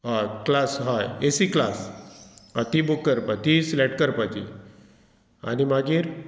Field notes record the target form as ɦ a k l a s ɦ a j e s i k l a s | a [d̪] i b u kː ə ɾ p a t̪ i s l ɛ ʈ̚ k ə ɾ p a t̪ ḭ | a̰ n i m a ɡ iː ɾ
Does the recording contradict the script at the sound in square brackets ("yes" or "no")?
yes